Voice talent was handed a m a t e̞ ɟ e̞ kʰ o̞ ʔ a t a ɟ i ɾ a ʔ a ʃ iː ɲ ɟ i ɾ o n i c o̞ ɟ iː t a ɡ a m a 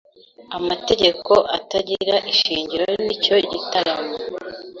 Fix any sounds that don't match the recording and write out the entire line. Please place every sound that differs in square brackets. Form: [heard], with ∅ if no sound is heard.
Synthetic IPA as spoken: a m a t e̞ ɟ e̞ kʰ o̞ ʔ a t a ɟ i ɾ a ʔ [i] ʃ iː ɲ ɟ i ɾ o n i c o̞ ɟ [i] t a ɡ a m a

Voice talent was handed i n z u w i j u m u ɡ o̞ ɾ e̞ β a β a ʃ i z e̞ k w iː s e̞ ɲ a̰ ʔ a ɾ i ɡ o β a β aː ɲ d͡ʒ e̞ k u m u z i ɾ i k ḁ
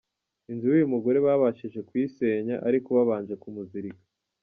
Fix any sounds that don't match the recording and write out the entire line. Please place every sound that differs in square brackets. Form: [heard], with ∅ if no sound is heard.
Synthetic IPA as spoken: i n z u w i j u m u ɡ o̞ ɾ e̞ β a β a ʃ i [ʒ] e̞ k w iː s e̞ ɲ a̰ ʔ a ɾ i [k] o β a β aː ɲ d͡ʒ e̞ k u m u z i ɾ i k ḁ

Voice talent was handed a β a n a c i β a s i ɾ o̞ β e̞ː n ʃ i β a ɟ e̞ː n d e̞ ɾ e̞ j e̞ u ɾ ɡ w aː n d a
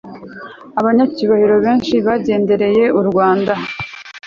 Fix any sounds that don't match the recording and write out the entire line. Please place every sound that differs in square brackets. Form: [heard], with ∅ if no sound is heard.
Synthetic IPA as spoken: a β a [ɲ] a c i β a [h] i ɾ o̞ β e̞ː n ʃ i β a ɟ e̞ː n d e̞ ɾ e̞ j e̞ u ɾ ɡ w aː n d a

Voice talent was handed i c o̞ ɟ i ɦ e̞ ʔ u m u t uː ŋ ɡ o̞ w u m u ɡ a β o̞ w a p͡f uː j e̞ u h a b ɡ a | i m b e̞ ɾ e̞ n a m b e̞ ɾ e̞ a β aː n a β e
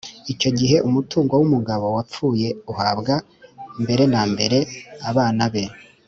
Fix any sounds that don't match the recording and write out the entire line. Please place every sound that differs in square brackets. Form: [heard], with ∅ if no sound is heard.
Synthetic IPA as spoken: i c o̞ ɟ i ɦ e̞ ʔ u m u t uː ŋ ɡ o̞ w u m u ɡ a β o̞ w a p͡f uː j e̞ u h a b ɡ a | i m b e̞ ɾ e̞ n a m b e̞ ɾ e̞ a β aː n a β e

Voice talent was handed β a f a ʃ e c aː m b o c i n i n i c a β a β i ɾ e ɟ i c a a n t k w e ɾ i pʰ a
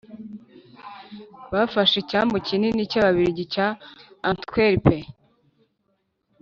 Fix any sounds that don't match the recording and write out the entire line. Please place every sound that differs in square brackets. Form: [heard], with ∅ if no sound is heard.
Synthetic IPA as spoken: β a f a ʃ e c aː m b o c i n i n i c a β a β i ɾ [i] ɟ i c a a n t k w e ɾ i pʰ [e]

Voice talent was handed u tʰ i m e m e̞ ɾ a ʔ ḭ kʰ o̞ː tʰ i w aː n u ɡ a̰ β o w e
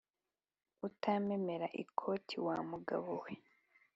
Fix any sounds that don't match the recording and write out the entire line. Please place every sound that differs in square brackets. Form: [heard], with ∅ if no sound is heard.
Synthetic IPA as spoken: u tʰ [a] m e m e̞ ɾ a ʔ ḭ kʰ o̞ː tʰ i w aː [m] u ɡ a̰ β o w e

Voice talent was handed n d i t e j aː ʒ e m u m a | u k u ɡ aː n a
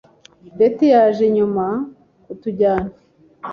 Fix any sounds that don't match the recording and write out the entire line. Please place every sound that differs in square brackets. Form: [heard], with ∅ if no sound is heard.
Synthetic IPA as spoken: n d [e] t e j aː ʒ e [ɲ] u m a | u [t] u [ɟ] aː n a

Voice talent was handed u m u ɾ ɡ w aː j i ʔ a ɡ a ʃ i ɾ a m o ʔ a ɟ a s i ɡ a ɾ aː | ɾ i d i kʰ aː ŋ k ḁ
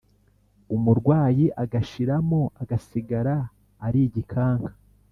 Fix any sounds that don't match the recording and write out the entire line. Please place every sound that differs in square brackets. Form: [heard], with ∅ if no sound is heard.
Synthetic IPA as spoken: u m u ɾ ɡ w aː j i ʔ a ɡ a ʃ i ɾ a m o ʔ a [ɡ] a s i ɡ a ɾ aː | ɾ i [ɟ] i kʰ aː ŋ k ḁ

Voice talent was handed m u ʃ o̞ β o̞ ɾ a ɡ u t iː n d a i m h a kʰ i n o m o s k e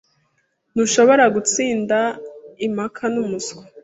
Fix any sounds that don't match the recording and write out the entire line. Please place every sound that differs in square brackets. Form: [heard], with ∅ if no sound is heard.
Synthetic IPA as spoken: [n] u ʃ o̞ β o̞ ɾ a ɡ u [t͡s] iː n d a i m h a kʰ [a] n [u] m [u] s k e

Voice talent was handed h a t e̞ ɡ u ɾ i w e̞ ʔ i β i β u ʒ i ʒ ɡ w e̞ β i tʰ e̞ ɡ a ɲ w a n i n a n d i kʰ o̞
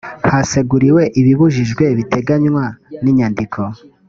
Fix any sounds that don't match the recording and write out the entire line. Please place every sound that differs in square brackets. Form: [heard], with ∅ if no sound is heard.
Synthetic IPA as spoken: h a [s] e̞ ɡ u ɾ i w e̞ ʔ i β i β u ʒ i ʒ ɡ w e̞ β i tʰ e̞ ɡ a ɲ w a n i [ɲ] a n d i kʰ o̞

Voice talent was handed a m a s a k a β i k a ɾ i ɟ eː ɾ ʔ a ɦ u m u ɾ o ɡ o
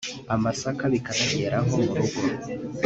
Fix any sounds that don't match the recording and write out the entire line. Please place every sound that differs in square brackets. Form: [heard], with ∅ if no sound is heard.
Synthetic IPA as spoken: a m a s a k a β i k a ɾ [a] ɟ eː ɾ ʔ a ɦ [o] m u ɾ [u] ɡ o

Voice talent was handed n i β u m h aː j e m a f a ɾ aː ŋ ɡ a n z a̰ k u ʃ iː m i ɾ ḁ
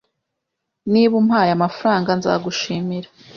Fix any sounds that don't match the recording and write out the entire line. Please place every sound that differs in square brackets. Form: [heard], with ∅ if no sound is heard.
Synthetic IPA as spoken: n i β u m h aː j [a] m a f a ɾ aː ŋ ɡ a n z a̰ [ɡ] u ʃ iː m i ɾ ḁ

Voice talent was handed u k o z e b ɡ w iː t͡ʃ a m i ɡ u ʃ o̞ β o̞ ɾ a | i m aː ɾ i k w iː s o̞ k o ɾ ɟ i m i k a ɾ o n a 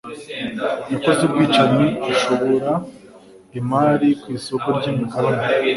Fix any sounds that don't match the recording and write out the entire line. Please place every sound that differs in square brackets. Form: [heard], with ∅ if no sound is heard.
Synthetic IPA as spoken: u k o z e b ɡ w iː t͡ʃ a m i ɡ u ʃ o̞ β o̞ ɾ a | i m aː ɾ i k w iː s o̞ k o ɾ ɟ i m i k a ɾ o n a

